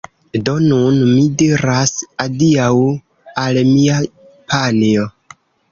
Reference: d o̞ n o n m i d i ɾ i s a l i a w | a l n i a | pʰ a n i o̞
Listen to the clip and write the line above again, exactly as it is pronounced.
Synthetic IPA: d o̞ n u n m i d i ɾ a s a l i a w | a l m i a | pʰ a n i o̞